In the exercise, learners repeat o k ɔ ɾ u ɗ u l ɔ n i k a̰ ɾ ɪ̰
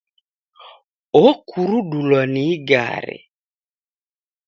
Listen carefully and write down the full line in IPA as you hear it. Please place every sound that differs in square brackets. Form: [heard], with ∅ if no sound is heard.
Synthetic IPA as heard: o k [u] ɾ u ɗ u l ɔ n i [ɡ] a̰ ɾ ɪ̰